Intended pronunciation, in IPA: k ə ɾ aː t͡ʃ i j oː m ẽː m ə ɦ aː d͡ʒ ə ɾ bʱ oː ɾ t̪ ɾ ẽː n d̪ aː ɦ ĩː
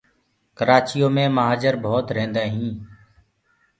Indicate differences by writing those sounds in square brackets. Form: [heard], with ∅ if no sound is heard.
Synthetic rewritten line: k ə ɾ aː t͡ʃ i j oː m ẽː m ə ɦ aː d͡ʒ ə ɾ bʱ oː [∅] t̪ ɾ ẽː n d̪ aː ɦ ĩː